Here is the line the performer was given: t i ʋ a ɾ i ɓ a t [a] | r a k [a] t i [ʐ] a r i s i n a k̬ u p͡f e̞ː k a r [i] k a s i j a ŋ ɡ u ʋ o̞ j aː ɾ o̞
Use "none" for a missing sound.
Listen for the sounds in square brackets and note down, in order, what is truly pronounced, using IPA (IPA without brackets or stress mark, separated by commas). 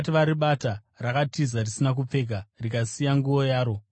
a, a, z, i